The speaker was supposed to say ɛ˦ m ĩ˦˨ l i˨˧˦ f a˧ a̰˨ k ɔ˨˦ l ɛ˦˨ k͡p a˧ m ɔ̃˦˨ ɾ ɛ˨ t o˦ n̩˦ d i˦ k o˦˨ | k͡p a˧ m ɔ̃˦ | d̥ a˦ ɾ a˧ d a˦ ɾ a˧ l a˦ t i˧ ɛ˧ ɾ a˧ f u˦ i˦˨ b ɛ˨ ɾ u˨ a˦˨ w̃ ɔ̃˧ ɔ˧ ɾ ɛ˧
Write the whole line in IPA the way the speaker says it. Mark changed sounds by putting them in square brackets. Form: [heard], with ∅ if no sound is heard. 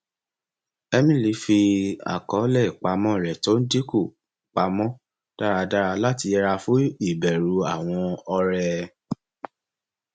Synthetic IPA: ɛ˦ m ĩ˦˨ l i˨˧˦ f [i˧] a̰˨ k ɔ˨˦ l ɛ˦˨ k͡p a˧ m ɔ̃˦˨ ɾ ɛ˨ t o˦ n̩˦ d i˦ k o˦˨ | k͡p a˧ m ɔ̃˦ | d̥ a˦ ɾ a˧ d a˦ ɾ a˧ l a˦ t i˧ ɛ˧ ɾ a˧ f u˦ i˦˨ b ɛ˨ ɾ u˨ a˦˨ w̃ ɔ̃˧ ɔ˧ ɾ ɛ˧